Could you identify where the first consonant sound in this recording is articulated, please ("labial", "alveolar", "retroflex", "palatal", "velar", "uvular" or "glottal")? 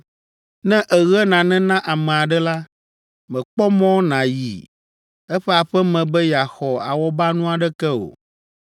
alveolar